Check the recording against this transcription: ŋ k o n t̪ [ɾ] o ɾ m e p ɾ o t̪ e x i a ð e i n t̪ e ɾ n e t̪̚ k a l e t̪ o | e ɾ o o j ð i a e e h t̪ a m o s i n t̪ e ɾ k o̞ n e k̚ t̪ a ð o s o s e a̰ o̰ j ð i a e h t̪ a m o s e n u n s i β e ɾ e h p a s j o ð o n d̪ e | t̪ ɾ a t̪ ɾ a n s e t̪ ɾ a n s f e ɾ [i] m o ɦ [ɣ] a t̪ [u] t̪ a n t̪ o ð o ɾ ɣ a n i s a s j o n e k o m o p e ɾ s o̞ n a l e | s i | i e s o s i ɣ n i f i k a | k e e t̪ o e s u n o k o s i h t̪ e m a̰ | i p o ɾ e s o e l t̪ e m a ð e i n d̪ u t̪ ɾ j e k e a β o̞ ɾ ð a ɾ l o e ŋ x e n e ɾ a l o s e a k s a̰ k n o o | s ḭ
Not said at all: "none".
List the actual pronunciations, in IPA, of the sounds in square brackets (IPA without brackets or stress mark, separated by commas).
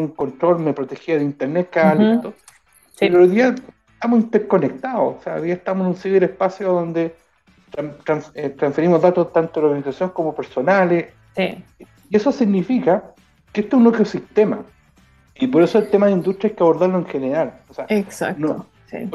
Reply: ɾ, i, ð, o